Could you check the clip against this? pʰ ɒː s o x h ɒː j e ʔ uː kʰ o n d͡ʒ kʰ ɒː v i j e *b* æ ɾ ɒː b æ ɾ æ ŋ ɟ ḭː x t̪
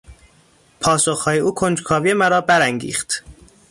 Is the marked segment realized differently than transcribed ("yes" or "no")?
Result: yes